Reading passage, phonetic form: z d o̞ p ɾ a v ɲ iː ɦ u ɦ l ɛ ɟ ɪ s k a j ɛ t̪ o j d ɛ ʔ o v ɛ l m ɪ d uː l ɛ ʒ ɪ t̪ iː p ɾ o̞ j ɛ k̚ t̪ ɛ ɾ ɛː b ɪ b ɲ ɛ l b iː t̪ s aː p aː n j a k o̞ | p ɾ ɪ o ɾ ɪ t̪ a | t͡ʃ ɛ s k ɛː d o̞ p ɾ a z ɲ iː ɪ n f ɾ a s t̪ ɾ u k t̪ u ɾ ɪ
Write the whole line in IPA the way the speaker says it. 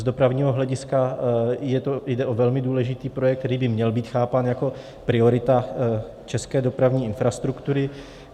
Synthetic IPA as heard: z d o̞ p ɾ a v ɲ iː ɦ o ɦ l ɛ ɟ ɪ s k a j ɛ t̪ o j d ɛ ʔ o v ɛ l m ɪ d uː l ɛ ʒ ɪ t̪ iː p ɾ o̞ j ɛ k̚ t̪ ɛ ɾ iː b ɪ m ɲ ɛ l b iː t̪ x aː p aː n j a k o̞ | p ɾ ɪ o ɾ ɪ t̪ a | t͡ʃ ɛ s k ɛː d o̞ p ɾ a v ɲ iː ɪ n f ɾ a s t̪ ɾ u k t̪ u ɾ ɪ